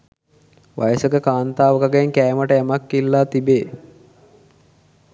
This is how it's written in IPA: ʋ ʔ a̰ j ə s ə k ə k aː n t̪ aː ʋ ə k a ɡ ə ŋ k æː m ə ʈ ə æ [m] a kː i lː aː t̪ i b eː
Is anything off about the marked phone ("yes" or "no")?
no